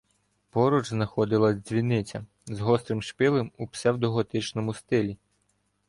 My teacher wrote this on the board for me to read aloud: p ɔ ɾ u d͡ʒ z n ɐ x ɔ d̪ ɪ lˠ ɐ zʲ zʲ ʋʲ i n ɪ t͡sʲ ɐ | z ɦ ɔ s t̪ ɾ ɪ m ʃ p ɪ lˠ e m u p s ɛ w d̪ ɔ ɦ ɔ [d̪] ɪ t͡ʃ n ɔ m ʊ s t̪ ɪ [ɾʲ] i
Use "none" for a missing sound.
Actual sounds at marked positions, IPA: t̪, lʲ

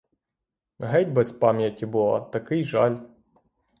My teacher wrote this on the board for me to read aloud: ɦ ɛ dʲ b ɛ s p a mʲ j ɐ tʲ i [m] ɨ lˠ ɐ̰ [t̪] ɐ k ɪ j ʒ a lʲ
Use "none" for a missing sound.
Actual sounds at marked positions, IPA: b, t̪

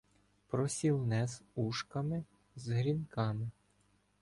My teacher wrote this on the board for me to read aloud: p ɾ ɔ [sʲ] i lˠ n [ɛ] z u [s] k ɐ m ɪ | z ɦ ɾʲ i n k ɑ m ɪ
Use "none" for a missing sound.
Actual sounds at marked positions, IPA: sʲ, ɛ, ʃ

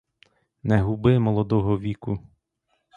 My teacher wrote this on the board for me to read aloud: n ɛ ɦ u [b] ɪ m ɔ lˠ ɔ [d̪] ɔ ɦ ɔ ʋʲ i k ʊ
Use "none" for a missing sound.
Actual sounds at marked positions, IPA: b, d̪

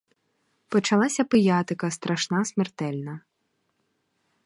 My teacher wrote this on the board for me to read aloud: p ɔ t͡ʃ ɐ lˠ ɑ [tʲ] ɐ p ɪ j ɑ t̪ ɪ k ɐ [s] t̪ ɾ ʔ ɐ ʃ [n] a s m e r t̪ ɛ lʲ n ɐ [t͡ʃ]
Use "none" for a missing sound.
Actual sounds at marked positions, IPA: sʲ, s, n, none

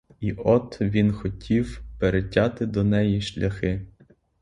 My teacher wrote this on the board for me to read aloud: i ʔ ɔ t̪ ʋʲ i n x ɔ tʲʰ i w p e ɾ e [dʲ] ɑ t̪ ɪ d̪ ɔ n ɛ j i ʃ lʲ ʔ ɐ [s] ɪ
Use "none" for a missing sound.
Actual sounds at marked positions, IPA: tʲ, x

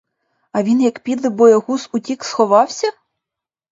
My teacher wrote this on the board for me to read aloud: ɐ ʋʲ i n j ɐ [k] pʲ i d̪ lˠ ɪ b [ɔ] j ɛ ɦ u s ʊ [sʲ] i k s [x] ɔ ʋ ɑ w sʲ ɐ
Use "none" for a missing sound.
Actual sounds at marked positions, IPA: k, ɔ, tʲ, x

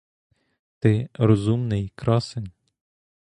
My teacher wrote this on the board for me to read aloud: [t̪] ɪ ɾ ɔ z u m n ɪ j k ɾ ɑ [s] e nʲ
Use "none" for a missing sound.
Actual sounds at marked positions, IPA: t̪, s

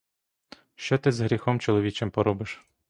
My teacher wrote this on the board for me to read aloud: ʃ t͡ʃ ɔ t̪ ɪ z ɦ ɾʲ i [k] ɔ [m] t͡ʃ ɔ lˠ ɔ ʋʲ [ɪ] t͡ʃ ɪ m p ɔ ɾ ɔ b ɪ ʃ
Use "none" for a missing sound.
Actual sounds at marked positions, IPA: x, m, i

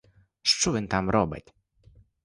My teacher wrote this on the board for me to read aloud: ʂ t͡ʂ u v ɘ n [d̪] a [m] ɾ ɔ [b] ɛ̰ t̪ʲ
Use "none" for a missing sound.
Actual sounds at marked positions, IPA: t̪, m, b

